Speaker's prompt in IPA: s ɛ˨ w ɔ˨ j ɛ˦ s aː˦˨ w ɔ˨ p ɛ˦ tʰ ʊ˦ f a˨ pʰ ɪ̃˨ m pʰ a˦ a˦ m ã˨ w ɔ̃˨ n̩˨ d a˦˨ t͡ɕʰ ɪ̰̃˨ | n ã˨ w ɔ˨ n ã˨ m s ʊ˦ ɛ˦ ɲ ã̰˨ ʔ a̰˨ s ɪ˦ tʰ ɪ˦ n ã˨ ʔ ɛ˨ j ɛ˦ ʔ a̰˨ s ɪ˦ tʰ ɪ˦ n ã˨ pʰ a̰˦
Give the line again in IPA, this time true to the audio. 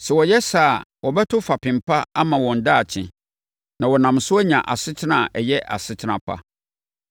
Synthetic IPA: s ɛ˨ w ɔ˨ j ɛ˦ s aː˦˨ w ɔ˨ b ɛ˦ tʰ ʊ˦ f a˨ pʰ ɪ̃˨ m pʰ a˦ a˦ m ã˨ w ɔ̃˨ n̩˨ d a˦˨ t͡ɕʰ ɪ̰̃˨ | n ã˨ w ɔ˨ n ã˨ m s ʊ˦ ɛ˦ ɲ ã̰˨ ʔ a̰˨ s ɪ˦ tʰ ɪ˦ n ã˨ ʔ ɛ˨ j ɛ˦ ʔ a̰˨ s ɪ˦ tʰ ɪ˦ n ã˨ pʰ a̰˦